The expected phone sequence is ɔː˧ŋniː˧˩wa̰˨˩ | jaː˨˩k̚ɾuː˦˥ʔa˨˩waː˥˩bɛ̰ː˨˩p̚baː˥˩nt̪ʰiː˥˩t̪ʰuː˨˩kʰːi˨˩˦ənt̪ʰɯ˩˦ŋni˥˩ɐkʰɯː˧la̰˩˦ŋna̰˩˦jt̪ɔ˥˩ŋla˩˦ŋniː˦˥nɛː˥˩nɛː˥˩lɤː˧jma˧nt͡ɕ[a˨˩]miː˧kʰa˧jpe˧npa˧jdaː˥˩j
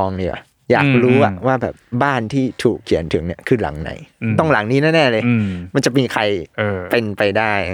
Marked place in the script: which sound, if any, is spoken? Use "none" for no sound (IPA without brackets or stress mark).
a˨˩